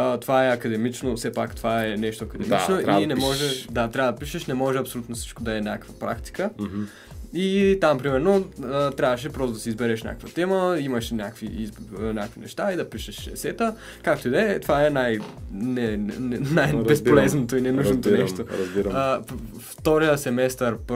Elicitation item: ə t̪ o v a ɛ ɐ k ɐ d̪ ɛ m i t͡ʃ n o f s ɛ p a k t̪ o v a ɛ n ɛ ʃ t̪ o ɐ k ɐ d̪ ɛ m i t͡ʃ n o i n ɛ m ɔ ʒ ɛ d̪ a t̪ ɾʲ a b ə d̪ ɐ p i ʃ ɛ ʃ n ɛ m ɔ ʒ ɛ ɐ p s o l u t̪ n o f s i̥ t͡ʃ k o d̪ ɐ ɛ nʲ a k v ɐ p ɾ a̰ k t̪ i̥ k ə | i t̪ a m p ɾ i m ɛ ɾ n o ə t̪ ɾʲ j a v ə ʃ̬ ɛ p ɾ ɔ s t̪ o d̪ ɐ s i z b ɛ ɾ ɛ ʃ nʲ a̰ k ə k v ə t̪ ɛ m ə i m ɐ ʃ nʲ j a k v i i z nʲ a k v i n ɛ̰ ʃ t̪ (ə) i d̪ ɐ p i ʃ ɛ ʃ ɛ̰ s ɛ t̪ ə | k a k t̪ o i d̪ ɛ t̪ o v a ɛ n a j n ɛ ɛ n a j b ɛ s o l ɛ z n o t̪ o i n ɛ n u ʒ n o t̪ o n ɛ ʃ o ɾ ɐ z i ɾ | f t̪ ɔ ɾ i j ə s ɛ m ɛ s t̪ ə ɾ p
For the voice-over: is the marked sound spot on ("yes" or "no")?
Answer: no